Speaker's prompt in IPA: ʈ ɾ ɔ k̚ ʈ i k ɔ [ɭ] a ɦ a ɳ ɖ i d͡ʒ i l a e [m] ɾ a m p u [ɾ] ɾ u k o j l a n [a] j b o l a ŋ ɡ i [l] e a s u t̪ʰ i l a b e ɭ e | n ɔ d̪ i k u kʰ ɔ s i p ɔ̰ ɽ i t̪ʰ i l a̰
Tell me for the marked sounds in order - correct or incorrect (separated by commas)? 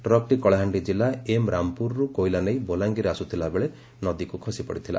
correct, correct, correct, incorrect, incorrect